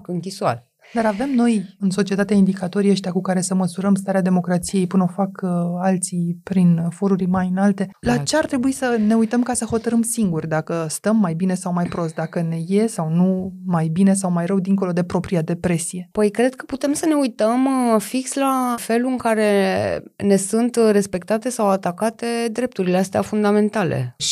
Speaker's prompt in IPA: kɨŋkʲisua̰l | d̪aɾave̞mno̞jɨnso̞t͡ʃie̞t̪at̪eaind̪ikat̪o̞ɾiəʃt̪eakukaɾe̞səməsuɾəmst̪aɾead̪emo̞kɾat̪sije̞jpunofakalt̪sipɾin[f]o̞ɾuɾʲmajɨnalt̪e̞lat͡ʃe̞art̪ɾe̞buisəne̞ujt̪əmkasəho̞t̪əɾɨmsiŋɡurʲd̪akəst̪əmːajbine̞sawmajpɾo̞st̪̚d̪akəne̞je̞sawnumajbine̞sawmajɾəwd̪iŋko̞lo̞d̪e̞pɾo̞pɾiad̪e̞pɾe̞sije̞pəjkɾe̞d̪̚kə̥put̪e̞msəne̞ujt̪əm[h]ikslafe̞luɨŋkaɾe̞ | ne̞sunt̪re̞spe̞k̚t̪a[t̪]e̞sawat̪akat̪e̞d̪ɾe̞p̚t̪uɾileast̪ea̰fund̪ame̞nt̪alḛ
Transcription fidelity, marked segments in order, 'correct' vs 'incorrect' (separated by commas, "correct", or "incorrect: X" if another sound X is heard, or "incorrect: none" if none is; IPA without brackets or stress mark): correct, incorrect: f, correct